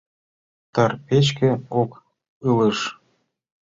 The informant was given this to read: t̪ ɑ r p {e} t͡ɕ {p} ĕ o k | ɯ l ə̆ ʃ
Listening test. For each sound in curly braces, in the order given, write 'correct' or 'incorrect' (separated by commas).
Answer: correct, incorrect